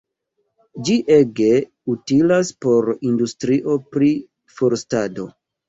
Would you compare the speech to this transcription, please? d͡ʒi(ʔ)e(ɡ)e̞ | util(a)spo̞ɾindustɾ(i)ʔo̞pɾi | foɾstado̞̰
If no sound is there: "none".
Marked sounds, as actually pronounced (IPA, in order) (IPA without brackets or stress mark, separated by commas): ʔ, ɡ, a, i